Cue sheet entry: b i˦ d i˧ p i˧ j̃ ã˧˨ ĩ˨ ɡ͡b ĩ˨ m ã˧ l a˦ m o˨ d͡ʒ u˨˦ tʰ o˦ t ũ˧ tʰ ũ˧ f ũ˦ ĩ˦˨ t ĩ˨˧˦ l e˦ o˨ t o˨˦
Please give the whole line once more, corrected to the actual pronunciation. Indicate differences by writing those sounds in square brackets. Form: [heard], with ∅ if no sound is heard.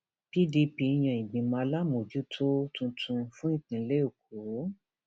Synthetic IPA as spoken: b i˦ d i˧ p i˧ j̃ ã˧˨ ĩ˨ ɡ͡b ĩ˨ m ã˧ l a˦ m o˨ d͡ʒ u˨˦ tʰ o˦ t ũ˧ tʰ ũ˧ f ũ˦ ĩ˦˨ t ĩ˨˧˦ l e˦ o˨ [k] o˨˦